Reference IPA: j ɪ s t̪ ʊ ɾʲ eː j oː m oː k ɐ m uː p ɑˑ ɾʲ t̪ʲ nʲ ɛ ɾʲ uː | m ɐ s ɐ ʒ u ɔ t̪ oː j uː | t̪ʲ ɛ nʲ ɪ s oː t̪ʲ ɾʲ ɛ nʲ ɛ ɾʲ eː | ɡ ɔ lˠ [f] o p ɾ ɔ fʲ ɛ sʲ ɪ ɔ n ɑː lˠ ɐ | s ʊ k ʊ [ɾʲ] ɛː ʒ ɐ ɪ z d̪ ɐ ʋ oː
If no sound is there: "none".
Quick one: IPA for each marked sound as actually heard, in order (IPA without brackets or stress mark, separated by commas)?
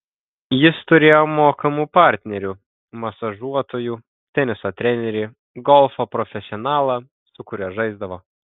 f, ɾʲ